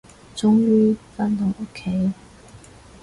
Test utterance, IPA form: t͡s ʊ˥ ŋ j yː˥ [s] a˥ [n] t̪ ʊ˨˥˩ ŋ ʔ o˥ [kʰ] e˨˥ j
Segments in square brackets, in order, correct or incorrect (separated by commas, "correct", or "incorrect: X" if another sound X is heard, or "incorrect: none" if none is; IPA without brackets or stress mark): incorrect: f, correct, correct